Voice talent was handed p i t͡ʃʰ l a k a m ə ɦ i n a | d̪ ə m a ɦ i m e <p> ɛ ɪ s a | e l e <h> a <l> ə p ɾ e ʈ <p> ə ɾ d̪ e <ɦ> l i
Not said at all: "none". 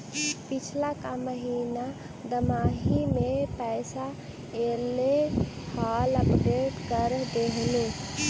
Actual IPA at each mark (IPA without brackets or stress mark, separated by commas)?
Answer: p, h, l, k, ɦ